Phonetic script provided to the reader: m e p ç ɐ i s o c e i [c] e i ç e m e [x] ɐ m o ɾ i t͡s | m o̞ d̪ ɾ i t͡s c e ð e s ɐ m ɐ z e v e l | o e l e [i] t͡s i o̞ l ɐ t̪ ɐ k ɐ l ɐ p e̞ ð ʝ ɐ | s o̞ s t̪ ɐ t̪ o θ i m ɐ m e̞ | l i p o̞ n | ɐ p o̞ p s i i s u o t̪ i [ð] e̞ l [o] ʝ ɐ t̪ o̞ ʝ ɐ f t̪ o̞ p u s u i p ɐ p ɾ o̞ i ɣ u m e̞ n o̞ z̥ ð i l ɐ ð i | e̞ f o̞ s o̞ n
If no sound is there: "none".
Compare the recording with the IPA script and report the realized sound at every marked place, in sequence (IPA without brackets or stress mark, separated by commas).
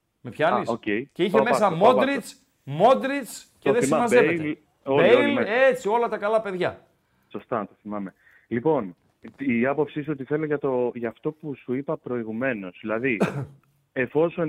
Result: c, s, e, θ, o